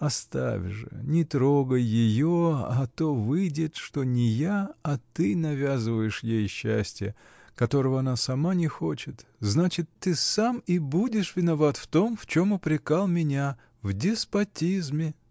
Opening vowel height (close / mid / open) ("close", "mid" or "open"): open